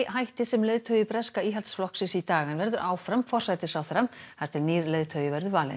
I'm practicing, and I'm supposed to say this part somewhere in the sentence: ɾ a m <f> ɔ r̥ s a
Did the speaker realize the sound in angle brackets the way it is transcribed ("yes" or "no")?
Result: yes